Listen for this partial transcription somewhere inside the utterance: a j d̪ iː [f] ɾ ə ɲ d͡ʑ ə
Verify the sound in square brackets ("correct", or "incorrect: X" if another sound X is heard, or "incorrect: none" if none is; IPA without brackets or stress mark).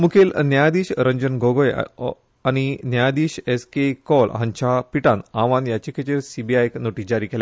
incorrect: ɕ